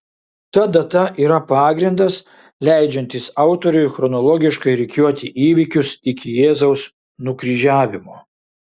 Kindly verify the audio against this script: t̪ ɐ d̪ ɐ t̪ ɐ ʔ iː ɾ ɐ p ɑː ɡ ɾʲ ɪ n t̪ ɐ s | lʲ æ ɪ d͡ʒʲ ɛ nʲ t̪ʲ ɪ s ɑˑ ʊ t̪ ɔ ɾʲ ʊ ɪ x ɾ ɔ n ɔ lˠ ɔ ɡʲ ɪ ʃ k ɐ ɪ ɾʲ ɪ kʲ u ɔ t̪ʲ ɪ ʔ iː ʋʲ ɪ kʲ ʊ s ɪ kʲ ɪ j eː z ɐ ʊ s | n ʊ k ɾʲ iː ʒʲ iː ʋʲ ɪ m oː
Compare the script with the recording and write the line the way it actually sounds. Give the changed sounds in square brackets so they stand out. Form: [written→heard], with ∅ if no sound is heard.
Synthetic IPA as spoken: t̪ ɐ d̪ ɐ t̪ ɐ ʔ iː ɾ ɐ p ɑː ɡ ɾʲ ɪ n [t̪→d̪] ɐ s | lʲ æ ɪ d͡ʒʲ ɛ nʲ t̪ʲ ɪ s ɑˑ ʊ t̪ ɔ ɾʲ ʊ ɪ x ɾ ɔ n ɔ lˠ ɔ ɡʲ ɪ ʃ k ɐ ɪ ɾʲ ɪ kʲ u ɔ t̪ʲ ɪ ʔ iː ʋʲ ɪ kʲ ʊ s ɪ kʲ ɪ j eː z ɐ ʊ s | n ʊ k ɾʲ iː ʒʲ [iː→æː] ʋʲ ɪ m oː